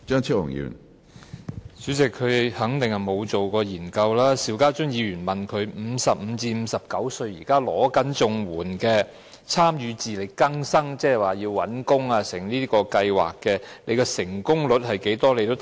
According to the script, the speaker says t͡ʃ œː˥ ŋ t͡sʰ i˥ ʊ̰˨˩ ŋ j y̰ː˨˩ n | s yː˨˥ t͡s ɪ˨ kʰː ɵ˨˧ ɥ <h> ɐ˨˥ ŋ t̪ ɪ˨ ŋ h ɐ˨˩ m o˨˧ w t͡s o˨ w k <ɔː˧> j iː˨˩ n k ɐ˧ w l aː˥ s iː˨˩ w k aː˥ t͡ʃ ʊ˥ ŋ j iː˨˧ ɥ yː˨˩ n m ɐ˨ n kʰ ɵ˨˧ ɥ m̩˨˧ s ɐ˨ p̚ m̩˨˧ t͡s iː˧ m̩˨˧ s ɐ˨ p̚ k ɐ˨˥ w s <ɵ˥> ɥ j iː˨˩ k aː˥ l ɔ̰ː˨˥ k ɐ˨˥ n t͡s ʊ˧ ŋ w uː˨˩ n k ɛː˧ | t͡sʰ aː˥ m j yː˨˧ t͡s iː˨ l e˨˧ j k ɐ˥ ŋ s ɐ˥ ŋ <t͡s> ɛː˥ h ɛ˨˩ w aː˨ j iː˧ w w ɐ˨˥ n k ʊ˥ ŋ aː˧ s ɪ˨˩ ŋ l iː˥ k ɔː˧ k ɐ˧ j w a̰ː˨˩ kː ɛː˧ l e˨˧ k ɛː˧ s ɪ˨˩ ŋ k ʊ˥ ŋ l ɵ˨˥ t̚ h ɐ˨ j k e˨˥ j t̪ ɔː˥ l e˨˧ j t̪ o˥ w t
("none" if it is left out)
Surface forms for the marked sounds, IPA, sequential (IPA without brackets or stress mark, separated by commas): h, ɔː˧, ɵ˧, t͡s